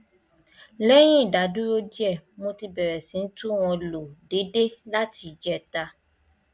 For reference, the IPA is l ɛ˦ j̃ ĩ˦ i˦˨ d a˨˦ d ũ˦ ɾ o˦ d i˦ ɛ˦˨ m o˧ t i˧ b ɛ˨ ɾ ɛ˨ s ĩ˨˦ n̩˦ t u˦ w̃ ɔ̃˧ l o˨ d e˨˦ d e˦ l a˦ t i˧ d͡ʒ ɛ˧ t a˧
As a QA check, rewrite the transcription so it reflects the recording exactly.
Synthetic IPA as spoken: l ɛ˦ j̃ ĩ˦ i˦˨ d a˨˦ d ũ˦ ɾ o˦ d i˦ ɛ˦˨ m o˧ t i˧ b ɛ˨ ɾ ɛ˨ s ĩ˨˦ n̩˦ t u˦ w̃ ɔ̃˧ l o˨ d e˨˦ d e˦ l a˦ t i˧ d͡ʒ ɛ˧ t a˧